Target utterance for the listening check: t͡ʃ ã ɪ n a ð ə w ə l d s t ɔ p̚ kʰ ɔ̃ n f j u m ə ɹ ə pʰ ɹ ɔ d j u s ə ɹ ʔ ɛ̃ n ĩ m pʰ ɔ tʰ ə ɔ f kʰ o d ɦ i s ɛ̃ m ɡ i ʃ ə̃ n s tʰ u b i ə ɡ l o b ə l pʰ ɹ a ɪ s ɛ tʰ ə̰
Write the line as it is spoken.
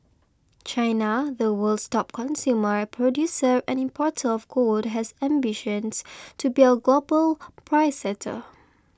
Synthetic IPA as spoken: t͡ʃ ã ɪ n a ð ə w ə l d s t ɔ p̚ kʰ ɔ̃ n s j u m ə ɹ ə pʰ ɹ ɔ d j u s ə ɹ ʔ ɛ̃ n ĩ m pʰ ɔ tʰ ə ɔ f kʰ o d ɦ ɛ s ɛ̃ m b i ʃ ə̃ n s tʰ u b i ə ɡ l o b ə l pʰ ɹ a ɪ s ɛ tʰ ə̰

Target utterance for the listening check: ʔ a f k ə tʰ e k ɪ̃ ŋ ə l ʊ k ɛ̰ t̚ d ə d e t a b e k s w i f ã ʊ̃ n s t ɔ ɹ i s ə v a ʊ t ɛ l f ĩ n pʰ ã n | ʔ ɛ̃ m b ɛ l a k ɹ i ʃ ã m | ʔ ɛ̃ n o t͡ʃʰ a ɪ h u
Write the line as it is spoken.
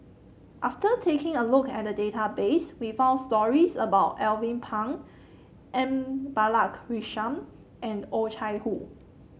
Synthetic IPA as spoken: ʔ a f t ə tʰ e k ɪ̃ ŋ ə l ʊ k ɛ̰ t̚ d ə d e t a b e s w i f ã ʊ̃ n s t ɔ ɹ i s ə b a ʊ t ɛ l v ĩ n pʰ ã ŋ | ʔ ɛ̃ m b a l a k ɹ i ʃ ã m | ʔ ɛ̃ n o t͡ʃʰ a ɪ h u

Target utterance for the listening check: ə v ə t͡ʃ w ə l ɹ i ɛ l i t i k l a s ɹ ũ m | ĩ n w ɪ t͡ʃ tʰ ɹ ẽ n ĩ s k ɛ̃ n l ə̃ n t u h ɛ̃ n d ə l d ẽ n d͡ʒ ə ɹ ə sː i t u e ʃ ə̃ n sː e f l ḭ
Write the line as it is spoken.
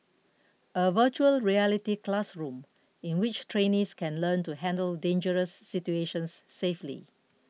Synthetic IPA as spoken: ə v ə t͡ʃ u ə l ɹ i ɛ l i t i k l a s ɹ ũ m | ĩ n w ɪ t͡ʃ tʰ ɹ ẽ n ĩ s k ɛ̃ n l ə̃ n t u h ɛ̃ n d ə l d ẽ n d͡ʒ ə ɹ ə sː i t u e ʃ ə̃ n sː e f l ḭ

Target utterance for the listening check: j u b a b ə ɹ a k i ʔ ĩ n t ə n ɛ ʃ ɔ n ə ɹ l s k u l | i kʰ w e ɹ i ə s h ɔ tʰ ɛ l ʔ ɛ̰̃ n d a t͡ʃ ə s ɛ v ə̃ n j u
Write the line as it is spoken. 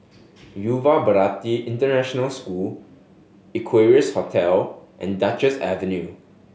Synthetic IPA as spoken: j u v a b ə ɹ a t i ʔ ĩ n t ə n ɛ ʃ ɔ n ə l s k u l | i kʰ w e ɹ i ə s h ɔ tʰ ɛ l ʔ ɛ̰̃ n d a t͡ʃ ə s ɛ v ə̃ n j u

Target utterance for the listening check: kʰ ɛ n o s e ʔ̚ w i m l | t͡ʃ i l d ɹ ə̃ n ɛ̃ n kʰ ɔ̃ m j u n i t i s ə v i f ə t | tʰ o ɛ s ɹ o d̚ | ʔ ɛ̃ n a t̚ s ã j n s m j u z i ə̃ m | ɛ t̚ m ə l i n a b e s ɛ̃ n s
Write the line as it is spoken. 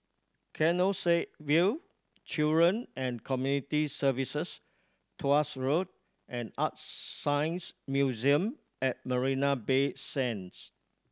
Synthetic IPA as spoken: kʰ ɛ n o s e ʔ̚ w i l | t͡ʃ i l d ɹ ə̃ n ɛ̃ n kʰ ɔ m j u n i t i s ə v i s ə s | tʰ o a s ɹ o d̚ | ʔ ɛ̃ n a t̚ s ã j n s m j u z i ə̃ m | ɛ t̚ m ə ɹ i n a b e s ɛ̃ n s

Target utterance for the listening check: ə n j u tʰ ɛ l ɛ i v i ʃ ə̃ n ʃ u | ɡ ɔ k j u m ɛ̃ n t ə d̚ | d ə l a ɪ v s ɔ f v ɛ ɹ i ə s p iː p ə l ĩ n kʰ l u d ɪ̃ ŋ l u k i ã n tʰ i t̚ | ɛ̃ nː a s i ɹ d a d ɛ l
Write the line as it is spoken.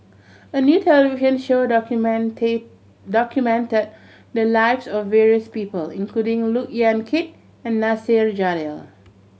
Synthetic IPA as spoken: ə n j u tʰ ɛ l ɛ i v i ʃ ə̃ n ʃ o | d ɔ k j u m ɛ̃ n t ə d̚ | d ə l a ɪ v s ɔ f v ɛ ɹ i ə s p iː p ə l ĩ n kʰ l u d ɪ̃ ŋ l u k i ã n kʰ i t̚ | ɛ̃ nː a s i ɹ d͡ʒ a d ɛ l

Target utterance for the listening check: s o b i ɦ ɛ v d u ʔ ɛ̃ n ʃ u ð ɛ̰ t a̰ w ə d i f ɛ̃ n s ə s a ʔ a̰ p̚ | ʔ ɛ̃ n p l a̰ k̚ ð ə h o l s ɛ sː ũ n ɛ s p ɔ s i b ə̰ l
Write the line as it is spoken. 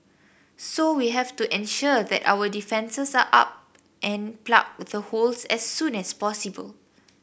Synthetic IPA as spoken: s o w i ɦ ɛ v t u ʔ ɛ̃ n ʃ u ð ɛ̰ t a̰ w ə d i f ɛ̃ n s ə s a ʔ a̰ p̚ | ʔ ɛ̃ n p l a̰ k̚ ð ə h o l s ɛ sː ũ n ɛ s p ɔ s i b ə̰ l

